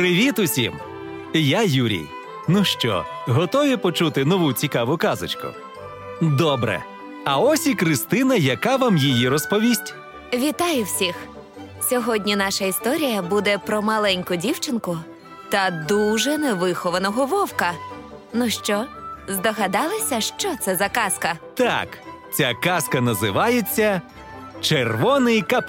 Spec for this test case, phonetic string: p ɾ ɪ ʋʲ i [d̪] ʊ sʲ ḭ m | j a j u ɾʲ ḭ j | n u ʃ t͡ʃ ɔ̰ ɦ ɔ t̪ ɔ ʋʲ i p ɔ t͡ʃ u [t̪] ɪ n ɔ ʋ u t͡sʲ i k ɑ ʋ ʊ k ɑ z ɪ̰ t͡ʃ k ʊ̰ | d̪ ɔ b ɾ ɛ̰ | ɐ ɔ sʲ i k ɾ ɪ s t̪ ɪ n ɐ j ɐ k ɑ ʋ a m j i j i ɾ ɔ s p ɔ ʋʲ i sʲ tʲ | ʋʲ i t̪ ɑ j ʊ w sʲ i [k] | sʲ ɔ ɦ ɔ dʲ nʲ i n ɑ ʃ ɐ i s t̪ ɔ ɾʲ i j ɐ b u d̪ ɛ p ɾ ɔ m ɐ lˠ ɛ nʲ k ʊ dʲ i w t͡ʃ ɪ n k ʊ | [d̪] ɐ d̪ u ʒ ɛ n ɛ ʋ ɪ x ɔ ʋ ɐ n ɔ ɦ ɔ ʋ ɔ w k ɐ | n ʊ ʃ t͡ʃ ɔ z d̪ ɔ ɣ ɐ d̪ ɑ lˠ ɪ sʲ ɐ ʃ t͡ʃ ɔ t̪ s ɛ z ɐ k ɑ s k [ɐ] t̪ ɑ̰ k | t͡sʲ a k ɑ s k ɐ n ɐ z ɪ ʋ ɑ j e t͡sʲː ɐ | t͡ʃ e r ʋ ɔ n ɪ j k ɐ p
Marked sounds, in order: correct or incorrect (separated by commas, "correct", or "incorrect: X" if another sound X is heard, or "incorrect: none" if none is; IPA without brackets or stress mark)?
incorrect: t̪, correct, incorrect: x, incorrect: t̪, correct